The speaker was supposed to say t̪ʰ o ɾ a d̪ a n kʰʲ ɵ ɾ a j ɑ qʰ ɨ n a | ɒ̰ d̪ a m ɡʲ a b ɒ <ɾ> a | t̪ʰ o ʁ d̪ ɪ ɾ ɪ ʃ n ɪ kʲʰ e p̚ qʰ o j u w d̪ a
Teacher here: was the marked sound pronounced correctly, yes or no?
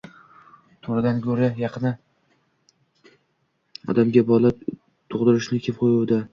no